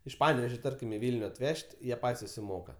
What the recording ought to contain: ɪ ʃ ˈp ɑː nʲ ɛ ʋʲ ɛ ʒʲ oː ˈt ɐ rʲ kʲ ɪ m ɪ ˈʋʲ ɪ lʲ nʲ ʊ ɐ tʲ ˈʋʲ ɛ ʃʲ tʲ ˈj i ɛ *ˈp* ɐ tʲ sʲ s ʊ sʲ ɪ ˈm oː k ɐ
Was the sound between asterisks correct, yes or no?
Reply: yes